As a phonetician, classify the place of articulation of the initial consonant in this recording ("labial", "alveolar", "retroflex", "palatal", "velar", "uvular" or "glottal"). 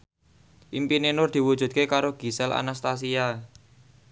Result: glottal